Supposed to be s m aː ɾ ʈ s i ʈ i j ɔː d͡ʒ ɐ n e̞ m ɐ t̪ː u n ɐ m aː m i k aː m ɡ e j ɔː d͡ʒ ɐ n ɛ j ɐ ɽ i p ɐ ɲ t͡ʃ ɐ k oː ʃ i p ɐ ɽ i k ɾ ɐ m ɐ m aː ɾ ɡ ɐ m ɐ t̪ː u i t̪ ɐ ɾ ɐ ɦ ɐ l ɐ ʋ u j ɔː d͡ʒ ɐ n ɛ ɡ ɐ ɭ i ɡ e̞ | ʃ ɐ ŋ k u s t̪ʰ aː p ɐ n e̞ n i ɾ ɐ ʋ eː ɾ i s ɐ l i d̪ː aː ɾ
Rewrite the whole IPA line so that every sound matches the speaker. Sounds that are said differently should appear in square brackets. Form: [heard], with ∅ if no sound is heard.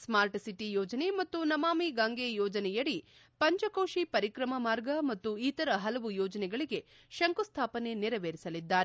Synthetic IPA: s m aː ɾ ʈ s i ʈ i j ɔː d͡ʒ ɐ n e̞ m ɐ t̪ː u n ɐ m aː m i [ɡ] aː [ŋ] ɡ e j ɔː d͡ʒ ɐ n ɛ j ɐ ɽ i p ɐ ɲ t͡ʃ ɐ k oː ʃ i p ɐ [ɾ] i k ɾ ɐ m ɐ m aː ɾ ɡ ɐ m ɐ t̪ː u i t̪ ɐ ɾ ɐ ɦ ɐ l ɐ ʋ u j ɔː d͡ʒ ɐ n ɛ ɡ ɐ ɭ i ɡ e̞ | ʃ ɐ ŋ k u s t̪ʰ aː p ɐ n e̞ n i ɾ ɐ ʋ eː ɾ i s ɐ l i d̪ː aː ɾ

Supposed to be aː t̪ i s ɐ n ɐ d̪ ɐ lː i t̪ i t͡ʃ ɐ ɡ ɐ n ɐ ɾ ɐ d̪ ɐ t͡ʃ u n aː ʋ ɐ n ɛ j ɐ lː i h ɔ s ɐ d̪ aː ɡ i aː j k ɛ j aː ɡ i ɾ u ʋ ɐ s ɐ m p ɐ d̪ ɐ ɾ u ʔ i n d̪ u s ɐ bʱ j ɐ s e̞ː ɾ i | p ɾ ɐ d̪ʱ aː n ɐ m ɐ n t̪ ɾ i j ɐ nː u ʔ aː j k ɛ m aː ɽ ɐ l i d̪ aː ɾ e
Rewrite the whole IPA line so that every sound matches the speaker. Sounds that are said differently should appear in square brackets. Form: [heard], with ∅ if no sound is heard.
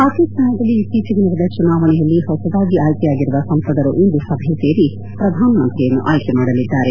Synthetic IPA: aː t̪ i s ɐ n ɐ d̪ ɐ lː i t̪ i t͡ʃ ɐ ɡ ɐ n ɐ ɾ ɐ d̪ ɐ t͡ʃ u n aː ʋ ɐ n ɛ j ɐ lː i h ɔ s ɐ d̪ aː ɡ i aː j k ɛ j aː ɡ i ɾ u ʋ ɐ s ɐ m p ɐ d̪ ɐ ɾ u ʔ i n d̪ u s ɐ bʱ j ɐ s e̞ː ɾ i | p ɾ ɐ d̪ʱ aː n ɐ m ɐ n t̪ ɾ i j ɐ nː u ʔ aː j k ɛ m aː ɽ ɐ l i [d̪ː] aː ɾ e

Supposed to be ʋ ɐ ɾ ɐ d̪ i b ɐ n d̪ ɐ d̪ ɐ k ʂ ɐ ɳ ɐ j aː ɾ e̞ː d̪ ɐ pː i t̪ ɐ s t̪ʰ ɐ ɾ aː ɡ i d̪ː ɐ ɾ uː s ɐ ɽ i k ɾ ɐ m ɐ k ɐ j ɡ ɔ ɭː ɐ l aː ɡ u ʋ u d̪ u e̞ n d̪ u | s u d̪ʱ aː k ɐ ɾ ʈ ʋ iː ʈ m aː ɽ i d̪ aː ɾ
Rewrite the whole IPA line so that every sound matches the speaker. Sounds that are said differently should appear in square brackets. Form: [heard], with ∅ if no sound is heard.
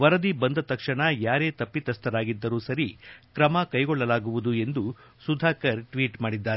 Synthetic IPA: ʋ ɐ ɾ ɐ d̪ i b ɐ n d̪ ɐ [t̪] ɐ k ʂ ɐ ɳ ɐ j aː ɾ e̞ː [t̪] ɐ pː i t̪ ɐ s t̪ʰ ɐ ɾ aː ɡ i d̪ː ɐ ɾ uː s ɐ [ɾ] i k ɾ ɐ m ɐ k ɐ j ɡ ɔ ɭː ɐ l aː ɡ u ʋ u d̪ u e̞ n d̪ u | s u d̪ʱ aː k ɐ ɾ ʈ ʋ iː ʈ m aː ɽ i [d̪ː] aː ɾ

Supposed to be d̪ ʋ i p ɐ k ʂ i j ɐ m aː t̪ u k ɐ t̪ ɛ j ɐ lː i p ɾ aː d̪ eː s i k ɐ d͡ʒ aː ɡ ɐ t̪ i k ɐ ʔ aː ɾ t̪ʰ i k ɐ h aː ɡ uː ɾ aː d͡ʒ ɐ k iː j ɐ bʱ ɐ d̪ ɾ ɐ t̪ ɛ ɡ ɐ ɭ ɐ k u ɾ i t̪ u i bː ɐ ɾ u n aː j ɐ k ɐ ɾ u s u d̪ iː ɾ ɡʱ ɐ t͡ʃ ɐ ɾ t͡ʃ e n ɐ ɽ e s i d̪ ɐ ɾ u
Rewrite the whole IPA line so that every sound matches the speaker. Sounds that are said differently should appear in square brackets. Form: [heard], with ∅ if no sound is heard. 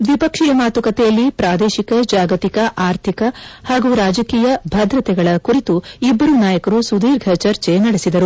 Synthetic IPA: d̪ ʋ i p ɐ k ʂ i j ɐ m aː t̪ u k ɐ t̪ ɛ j ɐ lː i p ɾ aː d̪ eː [ʃ] i k ɐ d͡ʒ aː ɡ ɐ t̪ i k ɐ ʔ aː ɾ t̪ʰ i k ɐ h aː ɡ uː ɾ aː d͡ʒ ɐ k iː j ɐ bʱ ɐ d̪ ɾ ɐ t̪ ɛ ɡ ɐ ɭ ɐ k u ɾ i t̪ u i bː ɐ ɾ u n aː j ɐ k ɐ ɾ u s u d̪ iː ɾ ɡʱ ɐ t͡ʃ ɐ ɾ t͡ʃ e n ɐ ɽ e s i d̪ ɐ ɾ u

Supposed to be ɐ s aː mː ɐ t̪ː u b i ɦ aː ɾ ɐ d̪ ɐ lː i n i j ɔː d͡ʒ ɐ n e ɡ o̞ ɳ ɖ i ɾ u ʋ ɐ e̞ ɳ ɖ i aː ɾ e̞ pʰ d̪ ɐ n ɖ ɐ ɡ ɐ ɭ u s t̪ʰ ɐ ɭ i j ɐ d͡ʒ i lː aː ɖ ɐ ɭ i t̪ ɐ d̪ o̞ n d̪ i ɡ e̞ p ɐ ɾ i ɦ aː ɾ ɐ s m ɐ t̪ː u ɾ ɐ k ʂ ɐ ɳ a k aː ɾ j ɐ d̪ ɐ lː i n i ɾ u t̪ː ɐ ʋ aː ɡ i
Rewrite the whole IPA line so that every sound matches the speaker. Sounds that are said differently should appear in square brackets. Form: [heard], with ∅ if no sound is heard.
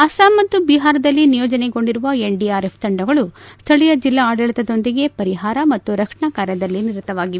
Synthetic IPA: ɐ s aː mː ɐ t̪ː u b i ɦ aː ɾ ɐ d̪ ɐ lː i n i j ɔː d͡ʒ ɐ n e ɡ o̞ ɳ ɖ i ɾ u ʋ ɐ e̞ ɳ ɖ i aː ɾ e̞ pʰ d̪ ɐ [ɳ] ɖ ɐ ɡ ɐ ɭ u s t̪ʰ ɐ ɭ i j ɐ d͡ʒ i lː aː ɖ ɐ ɭ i t̪ ɐ d̪ o̞ n d̪ i ɡ e̞ p ɐ ɾ i ɦ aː ɾ ɐ [∅] m ɐ t̪ː u ɾ ɐ k ʂ ɐ ɳ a k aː ɾ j ɐ d̪ ɐ lː i n i ɾ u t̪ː ɐ ʋ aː ɡ i

